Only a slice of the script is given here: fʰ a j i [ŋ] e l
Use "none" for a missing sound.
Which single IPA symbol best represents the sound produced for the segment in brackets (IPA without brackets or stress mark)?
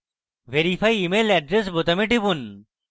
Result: m